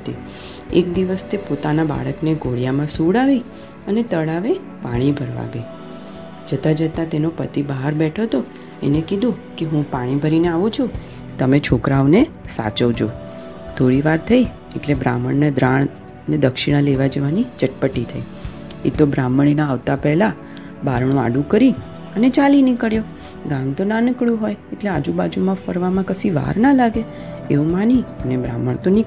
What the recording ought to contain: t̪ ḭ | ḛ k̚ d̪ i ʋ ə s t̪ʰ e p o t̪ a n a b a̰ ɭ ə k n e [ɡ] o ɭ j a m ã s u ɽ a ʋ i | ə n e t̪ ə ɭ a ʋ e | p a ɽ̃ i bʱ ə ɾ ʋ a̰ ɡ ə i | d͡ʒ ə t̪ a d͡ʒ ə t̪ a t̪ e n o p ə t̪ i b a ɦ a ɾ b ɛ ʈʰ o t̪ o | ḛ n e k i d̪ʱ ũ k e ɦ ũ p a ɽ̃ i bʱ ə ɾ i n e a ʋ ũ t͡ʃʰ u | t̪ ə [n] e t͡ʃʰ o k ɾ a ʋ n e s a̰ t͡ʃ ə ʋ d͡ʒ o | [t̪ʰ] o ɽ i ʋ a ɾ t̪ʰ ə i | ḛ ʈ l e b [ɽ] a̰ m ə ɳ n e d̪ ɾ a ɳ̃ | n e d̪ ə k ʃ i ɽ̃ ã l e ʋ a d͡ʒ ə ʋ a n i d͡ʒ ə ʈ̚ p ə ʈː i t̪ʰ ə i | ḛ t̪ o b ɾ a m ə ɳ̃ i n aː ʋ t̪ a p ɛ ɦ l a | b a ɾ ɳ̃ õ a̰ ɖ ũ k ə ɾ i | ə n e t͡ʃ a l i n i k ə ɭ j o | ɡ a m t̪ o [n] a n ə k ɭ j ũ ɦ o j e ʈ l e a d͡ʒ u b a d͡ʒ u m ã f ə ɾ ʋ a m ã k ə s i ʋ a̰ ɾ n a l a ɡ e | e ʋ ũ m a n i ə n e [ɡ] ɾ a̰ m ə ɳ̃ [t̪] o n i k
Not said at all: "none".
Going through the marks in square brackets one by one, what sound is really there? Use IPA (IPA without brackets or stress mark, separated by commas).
ɡ, m, t̪ʰ, ɾ, n, b, t̪